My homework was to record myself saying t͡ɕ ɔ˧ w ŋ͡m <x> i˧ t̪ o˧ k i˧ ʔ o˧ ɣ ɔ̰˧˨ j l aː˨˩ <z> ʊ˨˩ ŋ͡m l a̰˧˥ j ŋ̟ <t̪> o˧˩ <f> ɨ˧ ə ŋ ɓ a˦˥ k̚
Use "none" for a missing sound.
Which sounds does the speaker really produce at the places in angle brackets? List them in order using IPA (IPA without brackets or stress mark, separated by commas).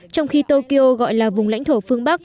x, v, t̪ʰ, f